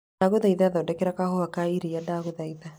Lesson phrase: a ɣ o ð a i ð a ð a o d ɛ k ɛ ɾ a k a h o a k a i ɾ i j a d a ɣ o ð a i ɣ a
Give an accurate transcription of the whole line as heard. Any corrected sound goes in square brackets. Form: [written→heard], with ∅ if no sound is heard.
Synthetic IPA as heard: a ɣ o ð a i ð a ð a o d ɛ k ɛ ɾ a k a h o a k a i ɾ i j a d a ɣ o ð a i [ɣ→ð] a